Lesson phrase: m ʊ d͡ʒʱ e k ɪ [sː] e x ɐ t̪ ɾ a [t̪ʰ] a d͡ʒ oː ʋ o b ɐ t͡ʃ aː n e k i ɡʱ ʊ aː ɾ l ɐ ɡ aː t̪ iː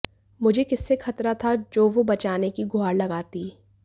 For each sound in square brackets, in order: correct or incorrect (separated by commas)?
correct, correct